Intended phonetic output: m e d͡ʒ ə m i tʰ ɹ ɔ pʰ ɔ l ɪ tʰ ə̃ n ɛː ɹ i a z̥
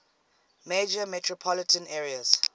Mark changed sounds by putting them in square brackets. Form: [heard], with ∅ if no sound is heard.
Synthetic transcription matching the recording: m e d͡ʒ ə m [ɛ] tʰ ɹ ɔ pʰ ɔ l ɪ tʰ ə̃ n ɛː ɹ i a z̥